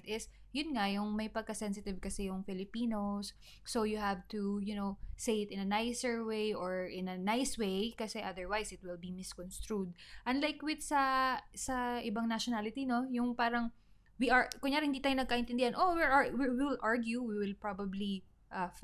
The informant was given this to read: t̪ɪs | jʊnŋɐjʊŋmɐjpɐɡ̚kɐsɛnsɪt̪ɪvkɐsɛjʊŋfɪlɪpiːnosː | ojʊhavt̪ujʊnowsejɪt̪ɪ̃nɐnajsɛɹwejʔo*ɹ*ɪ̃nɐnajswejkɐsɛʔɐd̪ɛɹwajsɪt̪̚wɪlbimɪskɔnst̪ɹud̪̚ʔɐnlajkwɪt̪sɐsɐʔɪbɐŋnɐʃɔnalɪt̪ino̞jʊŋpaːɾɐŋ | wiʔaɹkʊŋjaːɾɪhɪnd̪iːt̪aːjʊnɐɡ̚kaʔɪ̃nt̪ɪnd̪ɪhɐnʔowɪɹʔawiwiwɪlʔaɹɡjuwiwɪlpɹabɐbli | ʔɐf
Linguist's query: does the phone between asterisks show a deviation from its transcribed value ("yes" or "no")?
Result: no